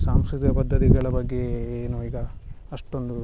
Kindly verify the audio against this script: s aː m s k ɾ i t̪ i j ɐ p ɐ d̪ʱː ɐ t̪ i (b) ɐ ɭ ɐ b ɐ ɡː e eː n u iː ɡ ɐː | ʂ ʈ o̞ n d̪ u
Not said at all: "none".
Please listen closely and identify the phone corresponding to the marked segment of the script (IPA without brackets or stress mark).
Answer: ɡ